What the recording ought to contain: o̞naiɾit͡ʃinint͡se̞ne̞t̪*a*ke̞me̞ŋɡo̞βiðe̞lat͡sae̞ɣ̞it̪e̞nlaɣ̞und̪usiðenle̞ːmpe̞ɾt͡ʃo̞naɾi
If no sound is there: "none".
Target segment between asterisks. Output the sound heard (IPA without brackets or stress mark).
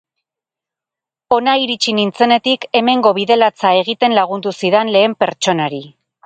i